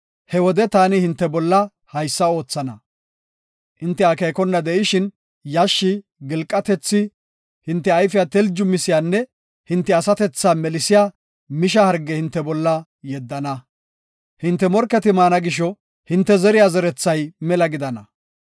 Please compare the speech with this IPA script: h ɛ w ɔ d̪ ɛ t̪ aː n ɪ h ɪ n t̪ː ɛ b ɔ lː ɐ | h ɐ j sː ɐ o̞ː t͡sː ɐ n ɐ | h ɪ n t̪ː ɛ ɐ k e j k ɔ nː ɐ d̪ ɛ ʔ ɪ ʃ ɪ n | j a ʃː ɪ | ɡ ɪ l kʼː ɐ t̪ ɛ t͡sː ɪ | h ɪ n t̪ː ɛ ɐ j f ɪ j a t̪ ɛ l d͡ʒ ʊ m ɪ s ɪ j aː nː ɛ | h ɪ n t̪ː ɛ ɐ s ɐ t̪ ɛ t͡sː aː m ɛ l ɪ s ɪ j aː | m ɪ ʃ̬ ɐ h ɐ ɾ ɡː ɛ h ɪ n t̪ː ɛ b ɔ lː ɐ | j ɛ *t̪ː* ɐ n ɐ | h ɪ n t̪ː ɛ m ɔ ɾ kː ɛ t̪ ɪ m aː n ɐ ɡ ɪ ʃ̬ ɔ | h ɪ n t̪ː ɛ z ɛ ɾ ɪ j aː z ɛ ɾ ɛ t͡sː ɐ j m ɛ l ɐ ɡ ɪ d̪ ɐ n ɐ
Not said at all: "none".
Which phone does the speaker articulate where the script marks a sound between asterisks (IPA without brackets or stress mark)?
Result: d̪ː